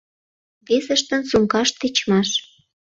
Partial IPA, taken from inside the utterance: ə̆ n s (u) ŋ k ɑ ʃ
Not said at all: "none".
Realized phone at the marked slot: u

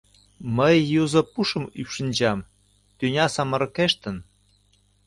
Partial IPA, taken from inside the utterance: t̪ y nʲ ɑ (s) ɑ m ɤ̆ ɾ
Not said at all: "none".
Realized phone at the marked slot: s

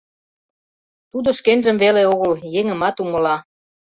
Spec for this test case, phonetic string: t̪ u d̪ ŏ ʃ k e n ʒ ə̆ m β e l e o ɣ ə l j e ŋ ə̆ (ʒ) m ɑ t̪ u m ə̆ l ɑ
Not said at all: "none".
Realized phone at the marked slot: none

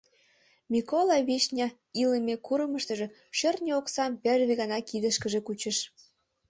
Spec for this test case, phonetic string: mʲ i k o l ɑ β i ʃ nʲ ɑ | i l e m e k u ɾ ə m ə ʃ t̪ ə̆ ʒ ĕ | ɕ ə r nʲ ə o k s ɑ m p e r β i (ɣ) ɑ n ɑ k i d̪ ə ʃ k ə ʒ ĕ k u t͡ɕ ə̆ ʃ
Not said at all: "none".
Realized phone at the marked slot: ɣ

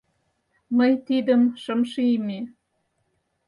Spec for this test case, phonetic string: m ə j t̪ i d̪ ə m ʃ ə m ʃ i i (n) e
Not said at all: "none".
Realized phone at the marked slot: m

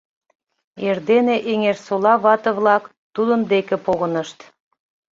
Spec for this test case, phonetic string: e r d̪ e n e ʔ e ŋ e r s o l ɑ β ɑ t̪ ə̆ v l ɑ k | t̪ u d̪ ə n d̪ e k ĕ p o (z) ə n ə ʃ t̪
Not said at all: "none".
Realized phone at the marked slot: ɣ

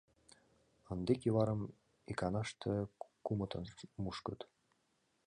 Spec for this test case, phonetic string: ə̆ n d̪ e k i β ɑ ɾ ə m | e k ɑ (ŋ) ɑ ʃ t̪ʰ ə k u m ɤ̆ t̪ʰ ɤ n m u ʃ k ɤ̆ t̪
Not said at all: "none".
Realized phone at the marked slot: n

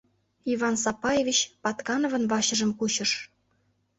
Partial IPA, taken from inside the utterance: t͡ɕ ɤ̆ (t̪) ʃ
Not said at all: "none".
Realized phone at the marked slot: none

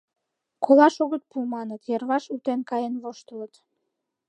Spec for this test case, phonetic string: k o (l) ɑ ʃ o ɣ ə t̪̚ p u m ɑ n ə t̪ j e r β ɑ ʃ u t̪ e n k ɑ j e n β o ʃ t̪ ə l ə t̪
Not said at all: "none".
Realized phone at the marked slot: l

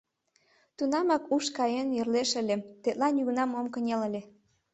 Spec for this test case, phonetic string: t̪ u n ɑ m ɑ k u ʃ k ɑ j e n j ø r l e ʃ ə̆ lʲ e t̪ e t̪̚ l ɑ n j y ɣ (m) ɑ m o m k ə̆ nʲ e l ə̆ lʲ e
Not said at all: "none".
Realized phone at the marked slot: n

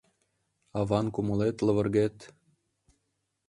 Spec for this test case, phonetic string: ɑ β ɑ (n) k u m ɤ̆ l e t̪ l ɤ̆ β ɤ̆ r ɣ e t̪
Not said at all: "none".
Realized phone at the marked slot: n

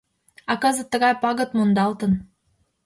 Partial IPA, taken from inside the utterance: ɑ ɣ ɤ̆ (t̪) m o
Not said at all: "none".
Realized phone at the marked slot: t̪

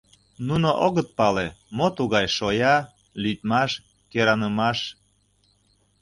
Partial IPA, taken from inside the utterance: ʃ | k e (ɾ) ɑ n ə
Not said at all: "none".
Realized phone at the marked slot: ɾ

